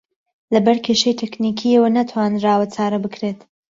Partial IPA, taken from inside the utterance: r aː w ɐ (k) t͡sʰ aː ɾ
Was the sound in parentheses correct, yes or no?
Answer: no